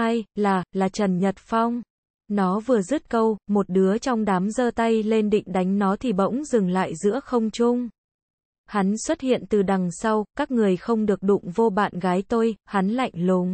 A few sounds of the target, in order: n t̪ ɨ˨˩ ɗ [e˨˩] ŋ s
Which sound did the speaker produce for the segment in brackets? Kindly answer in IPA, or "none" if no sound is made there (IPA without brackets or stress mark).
a˨˩